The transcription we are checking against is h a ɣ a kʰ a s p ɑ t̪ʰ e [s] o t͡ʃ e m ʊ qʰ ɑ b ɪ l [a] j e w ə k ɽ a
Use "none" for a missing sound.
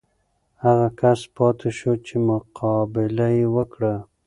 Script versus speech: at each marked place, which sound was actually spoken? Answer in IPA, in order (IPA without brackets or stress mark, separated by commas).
ʃ, a